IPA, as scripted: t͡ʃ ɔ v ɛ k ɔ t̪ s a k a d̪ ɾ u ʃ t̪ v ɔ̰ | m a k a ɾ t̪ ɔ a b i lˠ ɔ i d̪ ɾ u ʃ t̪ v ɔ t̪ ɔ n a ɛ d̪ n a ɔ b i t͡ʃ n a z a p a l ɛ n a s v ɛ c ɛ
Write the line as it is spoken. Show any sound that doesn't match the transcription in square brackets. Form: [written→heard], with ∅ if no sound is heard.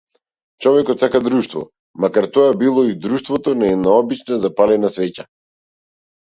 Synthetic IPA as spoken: t͡ʃ ɔ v ɛ k ɔ t̪ s a k a d̪ ɾ u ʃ t̪ v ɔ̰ | m a k a ɾ t̪ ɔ a b i lˠ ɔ i d̪ ɾ u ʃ t̪ v ɔ t̪ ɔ n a ɛ d̪ n a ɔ b i t͡ʃ n a z a p a l ɛ n a s v ɛ c [ɛ→a]

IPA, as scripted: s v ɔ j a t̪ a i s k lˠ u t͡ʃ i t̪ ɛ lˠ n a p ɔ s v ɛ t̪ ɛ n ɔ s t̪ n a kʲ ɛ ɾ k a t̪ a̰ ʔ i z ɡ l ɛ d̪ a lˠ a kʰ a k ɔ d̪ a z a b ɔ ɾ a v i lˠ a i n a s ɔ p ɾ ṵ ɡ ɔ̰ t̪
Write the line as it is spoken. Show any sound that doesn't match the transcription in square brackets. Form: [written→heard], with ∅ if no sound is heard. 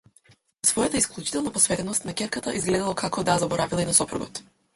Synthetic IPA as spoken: s v ɔ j a t̪ a i s k lˠ u t͡ʃ i t̪ ɛ lˠ n a p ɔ s v ɛ t̪ ɛ n ɔ s t̪ n a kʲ ɛ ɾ k a t̪ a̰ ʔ i z ɡ l ɛ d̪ a lˠ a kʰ a k ɔ d̪ a z a b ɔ ɾ a v i lˠ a i n a s ɔ p ɾ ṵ ɡ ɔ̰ t̪

